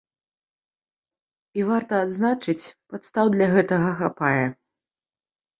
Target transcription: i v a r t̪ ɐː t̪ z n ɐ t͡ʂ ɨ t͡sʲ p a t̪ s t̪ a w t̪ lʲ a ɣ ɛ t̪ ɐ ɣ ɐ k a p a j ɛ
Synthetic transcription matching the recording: i v a r t̪ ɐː d̪ z n a t͡ʂ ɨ t͡sʲ p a t̪ s t̪ a w d̪ lʲ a ɣ ɛ t̪ ɐ ɣ ɐ x a p a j ɛ